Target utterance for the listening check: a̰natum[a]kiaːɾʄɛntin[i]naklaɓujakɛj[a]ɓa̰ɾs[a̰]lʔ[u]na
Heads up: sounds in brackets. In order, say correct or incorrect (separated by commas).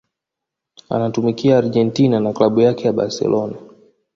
incorrect, incorrect, correct, incorrect, incorrect